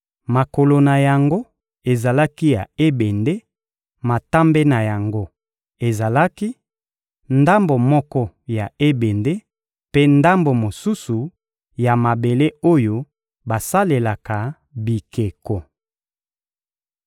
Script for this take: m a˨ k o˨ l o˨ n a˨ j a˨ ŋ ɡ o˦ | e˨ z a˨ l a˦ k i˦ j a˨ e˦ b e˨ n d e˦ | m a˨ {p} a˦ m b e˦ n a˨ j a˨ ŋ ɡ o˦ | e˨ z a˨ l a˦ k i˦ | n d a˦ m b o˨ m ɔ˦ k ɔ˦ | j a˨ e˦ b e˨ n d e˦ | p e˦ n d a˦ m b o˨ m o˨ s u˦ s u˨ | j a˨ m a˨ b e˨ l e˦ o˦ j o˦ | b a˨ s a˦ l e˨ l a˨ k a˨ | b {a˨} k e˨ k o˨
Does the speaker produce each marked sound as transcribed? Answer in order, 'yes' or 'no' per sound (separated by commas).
no, no